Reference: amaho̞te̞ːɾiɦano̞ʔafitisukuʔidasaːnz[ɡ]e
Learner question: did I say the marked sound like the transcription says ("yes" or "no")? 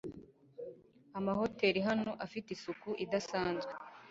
yes